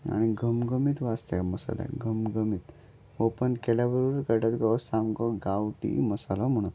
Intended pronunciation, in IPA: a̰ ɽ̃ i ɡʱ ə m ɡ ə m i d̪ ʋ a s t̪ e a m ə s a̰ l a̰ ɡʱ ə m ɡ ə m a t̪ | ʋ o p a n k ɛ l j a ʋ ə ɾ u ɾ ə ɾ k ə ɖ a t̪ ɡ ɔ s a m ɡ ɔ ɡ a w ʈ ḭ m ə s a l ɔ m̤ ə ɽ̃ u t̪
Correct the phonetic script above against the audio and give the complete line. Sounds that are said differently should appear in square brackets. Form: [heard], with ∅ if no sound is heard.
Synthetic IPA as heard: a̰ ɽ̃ i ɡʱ ə m ɡ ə m i [t̪] ʋ a s t̪ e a m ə s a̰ l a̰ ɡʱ ə m ɡ ə m [i] t̪ | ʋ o p [ə] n k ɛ l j a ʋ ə ɾ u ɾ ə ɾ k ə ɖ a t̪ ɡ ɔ s a m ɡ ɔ ɡ a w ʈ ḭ m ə s a l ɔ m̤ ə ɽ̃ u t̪